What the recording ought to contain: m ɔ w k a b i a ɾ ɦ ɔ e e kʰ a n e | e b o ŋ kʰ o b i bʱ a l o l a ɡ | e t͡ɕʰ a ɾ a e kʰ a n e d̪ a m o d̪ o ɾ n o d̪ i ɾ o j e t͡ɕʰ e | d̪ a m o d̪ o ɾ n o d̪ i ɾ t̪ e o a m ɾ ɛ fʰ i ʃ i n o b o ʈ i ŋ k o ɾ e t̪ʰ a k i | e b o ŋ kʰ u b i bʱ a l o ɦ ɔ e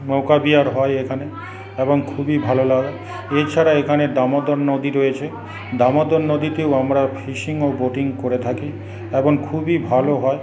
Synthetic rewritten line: m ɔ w k a b i a ɾ ɦ ɔ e e kʰ a n e | e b o ŋ kʰ u b i bʱ a l o l a ɡ | e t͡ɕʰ a ɾ a e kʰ a n e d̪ a m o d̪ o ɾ n o d̪ i ɾ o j e t͡ɕʰ e | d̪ a m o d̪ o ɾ n o d̪ i t̪ e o a m ɾ a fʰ i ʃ i ŋ o b o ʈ i ŋ k o ɾ e t̪ʰ a k i | e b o ŋ kʰ u b i bʱ a l o ɦ ɔ e

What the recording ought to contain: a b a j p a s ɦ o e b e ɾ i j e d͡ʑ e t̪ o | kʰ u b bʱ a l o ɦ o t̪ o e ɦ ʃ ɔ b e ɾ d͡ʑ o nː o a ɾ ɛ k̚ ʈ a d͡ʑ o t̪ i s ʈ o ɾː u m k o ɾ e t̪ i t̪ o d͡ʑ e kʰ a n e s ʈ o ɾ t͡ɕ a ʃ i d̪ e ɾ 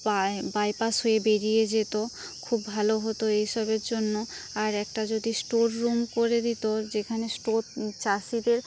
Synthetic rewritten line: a b a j p a s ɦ o e b e ɾ i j e d͡ʑ e t̪ o | kʰ u b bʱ a l o ɦ o t̪ o e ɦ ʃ ɔ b e ɾ d͡ʑ o nː o a ɾ ɛ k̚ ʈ a d͡ʑ o d̪ i s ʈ o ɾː u m k o ɾ e d̪ i t̪ o d͡ʑ e kʰ a n e s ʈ o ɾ t͡ɕ a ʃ i d̪ e ɾ

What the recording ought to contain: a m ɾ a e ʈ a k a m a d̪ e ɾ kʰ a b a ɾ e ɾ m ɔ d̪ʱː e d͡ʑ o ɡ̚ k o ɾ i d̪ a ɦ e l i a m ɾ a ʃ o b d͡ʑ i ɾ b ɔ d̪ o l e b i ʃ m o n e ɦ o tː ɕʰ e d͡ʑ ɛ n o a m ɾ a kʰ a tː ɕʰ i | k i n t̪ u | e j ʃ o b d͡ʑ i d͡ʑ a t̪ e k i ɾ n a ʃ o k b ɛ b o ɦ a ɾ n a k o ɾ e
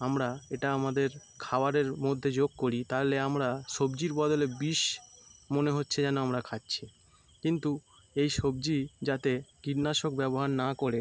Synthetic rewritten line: a m ɾ a e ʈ a a m a d̪ e ɾ kʰ a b a ɾ e ɾ m o d̪ʱː e d͡ʑ o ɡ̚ k o ɾ i t̪ a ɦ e l e a m ɾ a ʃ o b d͡ʑ i ɾ b ɔ d̪ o l e b i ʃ m o n e ɦ o tː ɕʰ e d͡ʑ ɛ n o a m ɾ a kʰ a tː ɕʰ i | k i n t̪ u | e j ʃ o b d͡ʑ i d͡ʑ a t̪ e k i ɾ n a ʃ o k b ɛ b o ɦ a ɾ n a k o ɾ e

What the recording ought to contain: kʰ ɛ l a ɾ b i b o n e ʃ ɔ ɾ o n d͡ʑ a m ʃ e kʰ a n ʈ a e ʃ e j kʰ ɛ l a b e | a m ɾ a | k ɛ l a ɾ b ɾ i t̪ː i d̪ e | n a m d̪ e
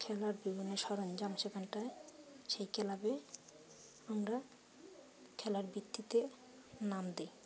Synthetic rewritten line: kʰ ɛ l a ɾ b i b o n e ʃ ɔ ɾ o n d͡ʑ a m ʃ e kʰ a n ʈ a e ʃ e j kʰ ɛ l a b e | a m ɾ a | kʰ ɛ l a ɾ b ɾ i t̪ː i t̪ e | n a m d̪ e

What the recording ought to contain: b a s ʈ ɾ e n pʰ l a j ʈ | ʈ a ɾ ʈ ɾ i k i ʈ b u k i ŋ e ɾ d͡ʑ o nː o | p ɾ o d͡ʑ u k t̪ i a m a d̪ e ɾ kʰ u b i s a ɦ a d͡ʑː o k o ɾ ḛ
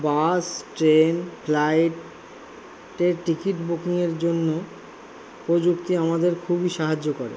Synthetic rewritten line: b a s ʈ ɾ e n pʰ l a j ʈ | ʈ e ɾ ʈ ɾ i k i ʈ b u k i ŋ e ɾ d͡ʑ o nː o | p ɾ o d͡ʑ u k t̪ i a m a d̪ e ɾ kʰ u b i ʃ a ɦ a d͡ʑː o k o ɾ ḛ

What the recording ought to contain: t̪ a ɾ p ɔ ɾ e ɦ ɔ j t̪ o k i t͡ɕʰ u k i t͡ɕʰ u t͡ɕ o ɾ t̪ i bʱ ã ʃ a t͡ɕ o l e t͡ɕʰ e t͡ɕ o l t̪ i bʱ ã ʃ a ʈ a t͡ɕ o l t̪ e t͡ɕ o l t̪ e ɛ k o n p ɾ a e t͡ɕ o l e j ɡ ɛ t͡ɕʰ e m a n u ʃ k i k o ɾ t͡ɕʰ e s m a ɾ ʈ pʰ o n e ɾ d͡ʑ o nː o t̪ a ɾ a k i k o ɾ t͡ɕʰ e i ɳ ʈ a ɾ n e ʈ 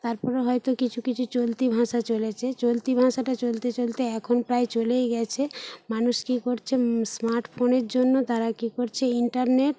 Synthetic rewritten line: t̪ a ɾ p ɔ ɾ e ɦ ɔ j t̪ o k i t͡ɕʰ u k i t͡ɕʰ u t͡ɕ o l t̪ i bʱ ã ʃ a t͡ɕ o l e t͡ɕʰ e t͡ɕ o l t̪ i bʱ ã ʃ a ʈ a t͡ɕ o l t̪ e t͡ɕ o l t̪ e ɛ kʰ o n p ɾ a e t͡ɕ o l e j ɡ ɛ t͡ɕʰ e m a n u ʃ k i k o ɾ t͡ɕʰ e s m a ɾ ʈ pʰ o n e ɾ d͡ʑ o nː o t̪ a ɾ a k i k o ɾ t͡ɕʰ e i ɳ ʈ a ɾ n e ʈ

